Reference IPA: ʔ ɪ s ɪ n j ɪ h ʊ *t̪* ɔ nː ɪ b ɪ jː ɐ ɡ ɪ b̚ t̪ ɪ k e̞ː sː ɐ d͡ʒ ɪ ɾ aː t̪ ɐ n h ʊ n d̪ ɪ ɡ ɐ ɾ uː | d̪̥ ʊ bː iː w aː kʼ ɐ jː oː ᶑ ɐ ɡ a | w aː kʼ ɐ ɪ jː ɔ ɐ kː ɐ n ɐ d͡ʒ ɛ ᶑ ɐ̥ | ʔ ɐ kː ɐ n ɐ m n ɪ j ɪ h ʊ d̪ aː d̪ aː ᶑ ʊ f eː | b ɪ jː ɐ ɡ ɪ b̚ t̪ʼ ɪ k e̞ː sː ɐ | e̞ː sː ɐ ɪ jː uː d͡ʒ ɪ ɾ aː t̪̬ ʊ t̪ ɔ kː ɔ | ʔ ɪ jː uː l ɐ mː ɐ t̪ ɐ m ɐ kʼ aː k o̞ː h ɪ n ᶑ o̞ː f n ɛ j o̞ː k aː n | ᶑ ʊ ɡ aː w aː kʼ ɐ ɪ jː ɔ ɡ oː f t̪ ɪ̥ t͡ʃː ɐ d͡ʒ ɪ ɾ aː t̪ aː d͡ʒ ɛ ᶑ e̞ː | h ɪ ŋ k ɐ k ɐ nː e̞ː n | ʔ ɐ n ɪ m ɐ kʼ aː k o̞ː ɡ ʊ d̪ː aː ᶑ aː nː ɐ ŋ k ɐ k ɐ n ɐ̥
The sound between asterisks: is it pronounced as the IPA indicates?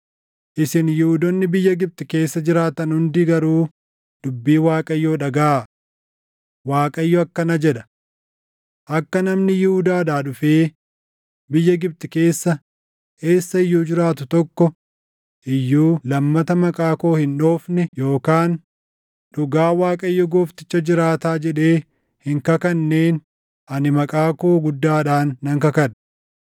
no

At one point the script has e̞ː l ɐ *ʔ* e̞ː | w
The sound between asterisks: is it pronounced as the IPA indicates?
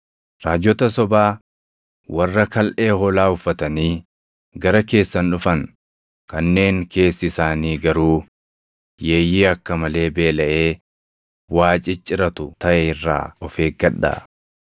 yes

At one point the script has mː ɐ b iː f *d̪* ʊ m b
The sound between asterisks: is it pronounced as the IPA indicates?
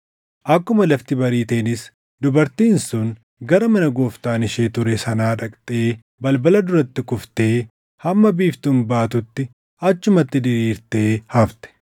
no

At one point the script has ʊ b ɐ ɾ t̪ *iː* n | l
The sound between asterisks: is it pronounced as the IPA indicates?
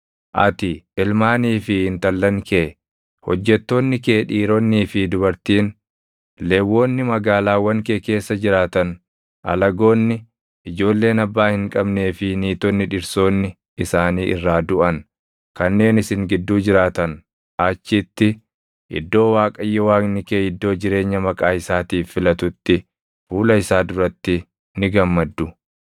yes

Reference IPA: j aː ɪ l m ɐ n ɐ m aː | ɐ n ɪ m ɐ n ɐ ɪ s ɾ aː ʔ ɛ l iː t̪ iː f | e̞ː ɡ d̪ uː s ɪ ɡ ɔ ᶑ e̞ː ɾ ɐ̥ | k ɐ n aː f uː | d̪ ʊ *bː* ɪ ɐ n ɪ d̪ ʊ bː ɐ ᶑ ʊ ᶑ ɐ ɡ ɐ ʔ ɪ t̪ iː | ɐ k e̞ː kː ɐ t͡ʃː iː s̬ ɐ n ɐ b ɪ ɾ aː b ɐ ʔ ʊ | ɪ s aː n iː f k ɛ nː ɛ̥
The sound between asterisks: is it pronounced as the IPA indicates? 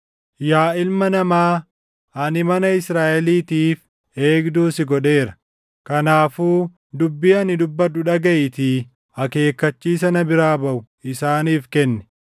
yes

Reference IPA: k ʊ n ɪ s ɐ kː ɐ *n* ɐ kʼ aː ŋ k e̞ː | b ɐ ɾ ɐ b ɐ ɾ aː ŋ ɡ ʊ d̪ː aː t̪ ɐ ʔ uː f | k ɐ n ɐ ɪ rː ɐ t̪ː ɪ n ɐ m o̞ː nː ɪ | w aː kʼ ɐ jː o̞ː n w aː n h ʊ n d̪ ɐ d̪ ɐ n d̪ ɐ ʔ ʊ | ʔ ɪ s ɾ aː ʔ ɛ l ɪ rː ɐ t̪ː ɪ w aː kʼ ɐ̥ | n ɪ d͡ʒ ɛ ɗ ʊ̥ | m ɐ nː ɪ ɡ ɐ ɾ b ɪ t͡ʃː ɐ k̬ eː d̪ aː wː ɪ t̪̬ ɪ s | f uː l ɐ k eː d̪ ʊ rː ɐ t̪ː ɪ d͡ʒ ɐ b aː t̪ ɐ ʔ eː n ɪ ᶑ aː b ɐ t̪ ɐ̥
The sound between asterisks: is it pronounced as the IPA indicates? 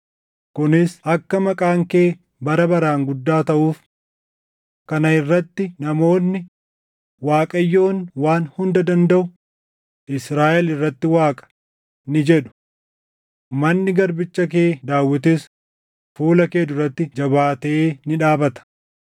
no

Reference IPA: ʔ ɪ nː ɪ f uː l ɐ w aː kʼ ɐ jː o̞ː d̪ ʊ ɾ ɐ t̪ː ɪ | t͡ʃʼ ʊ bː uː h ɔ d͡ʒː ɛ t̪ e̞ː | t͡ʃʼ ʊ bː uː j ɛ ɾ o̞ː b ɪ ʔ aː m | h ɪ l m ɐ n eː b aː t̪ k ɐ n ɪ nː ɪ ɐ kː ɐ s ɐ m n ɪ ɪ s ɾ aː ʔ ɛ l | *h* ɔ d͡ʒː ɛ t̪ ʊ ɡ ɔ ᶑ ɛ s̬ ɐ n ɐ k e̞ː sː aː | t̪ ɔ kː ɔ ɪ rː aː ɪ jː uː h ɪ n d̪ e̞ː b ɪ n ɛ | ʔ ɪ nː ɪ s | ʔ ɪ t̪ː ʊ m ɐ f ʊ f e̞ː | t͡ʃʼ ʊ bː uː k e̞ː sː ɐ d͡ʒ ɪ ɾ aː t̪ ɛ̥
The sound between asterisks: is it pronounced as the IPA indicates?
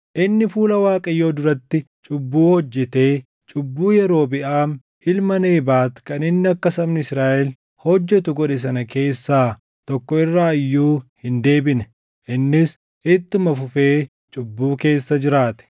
yes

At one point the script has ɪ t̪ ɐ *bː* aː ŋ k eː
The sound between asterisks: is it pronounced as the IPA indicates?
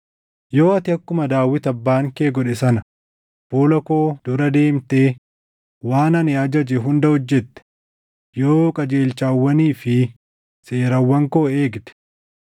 yes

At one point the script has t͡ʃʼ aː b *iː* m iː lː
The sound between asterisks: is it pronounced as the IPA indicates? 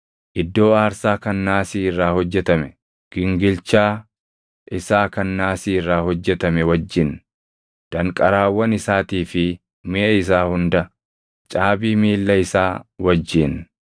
yes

